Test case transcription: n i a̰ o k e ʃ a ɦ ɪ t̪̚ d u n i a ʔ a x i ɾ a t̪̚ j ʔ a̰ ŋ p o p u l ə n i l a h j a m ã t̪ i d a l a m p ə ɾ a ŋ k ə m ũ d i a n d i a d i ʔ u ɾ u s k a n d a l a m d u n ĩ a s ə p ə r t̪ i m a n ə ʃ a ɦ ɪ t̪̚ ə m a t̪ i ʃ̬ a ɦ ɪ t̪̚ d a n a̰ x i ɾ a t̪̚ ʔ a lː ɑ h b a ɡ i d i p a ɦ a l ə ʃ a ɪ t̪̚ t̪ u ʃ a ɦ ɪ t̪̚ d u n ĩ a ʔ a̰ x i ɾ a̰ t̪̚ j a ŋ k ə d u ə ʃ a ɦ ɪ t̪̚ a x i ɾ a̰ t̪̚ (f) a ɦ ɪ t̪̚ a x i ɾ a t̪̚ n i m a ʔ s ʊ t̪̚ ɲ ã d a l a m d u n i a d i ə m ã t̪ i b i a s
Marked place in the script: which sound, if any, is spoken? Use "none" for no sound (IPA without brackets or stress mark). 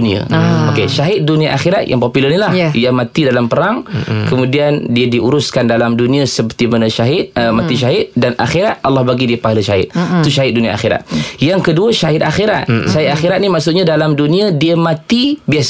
ʃ